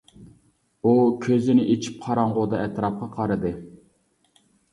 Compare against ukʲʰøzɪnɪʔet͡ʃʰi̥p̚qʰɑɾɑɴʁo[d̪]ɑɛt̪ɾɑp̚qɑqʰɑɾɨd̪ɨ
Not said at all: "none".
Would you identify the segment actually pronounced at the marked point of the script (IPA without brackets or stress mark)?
d̪